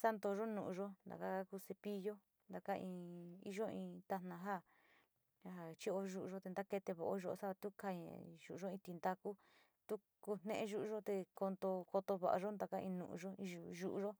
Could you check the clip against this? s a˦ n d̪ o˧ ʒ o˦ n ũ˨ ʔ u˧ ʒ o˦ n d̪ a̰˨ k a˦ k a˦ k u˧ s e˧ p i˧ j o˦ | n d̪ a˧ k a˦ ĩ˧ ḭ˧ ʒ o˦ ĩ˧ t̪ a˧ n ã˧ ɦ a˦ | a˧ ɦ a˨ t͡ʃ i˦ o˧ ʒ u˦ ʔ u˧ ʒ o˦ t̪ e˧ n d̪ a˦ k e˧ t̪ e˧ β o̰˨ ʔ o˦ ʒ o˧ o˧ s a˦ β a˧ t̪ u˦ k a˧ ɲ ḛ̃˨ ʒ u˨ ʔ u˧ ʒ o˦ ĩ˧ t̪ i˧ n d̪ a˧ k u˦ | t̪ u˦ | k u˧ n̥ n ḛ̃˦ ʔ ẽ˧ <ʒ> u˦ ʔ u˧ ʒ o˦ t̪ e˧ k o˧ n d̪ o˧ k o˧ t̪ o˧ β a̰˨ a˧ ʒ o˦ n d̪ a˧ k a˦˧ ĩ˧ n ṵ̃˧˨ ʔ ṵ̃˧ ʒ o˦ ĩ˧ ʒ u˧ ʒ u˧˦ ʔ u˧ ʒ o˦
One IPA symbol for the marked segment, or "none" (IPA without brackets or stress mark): ʒ